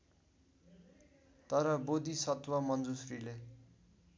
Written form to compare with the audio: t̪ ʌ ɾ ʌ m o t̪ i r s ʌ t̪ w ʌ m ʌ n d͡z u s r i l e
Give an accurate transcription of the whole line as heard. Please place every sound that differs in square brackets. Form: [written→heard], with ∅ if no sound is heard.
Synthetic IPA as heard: t̪ ʌ ɾ ʌ [m→b] o [t̪→d̪] i [r→∅] s ʌ t̪ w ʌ m ʌ n d͡z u s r i l e